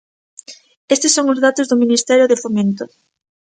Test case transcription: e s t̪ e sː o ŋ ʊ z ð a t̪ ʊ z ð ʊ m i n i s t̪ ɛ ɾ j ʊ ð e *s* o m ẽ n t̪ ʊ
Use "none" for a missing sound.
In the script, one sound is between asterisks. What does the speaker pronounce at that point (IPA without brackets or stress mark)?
f